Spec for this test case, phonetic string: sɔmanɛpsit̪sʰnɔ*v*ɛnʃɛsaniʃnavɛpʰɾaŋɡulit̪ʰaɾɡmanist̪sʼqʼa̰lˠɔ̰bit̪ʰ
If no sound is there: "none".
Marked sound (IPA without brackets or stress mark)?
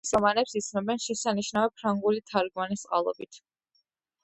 b